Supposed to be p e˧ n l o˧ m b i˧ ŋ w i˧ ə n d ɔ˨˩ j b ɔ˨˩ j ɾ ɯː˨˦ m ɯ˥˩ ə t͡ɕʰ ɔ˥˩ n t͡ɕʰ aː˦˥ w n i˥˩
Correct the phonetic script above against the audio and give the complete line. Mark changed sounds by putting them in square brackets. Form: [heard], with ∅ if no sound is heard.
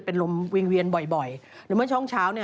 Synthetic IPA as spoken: p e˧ n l o˧ m [w] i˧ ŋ w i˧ ə n [b] ɔ˨˩ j b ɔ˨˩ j ɾ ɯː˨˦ m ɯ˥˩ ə t͡ɕʰ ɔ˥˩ [ŋ] t͡ɕʰ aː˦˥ w n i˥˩